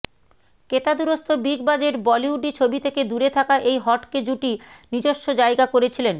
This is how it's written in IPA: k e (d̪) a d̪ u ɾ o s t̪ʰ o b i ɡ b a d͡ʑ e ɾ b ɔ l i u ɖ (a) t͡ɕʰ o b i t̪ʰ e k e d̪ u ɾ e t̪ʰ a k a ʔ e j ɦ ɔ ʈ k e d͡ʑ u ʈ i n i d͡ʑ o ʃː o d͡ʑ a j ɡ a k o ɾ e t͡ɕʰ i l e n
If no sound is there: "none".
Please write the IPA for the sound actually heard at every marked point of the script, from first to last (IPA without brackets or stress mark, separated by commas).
t̪, i